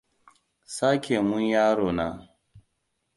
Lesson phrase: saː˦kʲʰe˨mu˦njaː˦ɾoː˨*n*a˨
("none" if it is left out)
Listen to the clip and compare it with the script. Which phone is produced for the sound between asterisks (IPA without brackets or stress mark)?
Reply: n